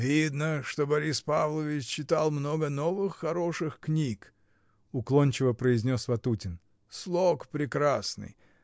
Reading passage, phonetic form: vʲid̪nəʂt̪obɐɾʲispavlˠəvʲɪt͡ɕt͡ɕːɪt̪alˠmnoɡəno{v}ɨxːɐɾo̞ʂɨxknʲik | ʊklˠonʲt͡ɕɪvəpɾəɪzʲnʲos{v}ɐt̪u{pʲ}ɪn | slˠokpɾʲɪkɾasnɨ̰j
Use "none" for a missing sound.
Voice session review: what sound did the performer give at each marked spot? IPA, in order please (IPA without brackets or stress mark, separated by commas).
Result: v, v, tʲ